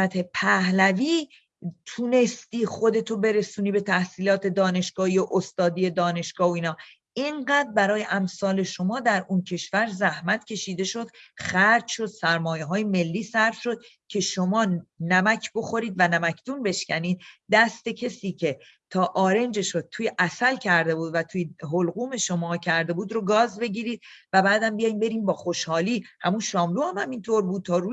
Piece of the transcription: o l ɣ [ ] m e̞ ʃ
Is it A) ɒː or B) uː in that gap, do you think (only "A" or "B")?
B